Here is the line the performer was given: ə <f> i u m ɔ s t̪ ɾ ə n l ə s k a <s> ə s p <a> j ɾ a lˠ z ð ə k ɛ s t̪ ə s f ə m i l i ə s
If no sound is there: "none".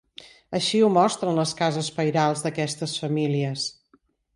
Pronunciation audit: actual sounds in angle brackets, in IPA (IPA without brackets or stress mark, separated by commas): ʃ, z, ə